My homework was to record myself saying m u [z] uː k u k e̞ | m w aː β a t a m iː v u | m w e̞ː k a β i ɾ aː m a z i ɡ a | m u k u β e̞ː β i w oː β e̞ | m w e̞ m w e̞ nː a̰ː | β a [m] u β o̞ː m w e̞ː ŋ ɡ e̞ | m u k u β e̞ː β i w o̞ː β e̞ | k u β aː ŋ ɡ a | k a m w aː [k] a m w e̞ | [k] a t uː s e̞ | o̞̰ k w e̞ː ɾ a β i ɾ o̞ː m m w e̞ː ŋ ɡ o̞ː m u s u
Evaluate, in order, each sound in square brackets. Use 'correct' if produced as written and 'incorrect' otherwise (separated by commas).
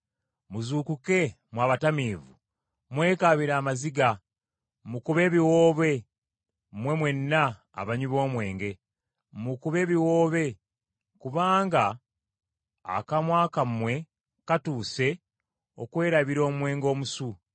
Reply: correct, incorrect, correct, correct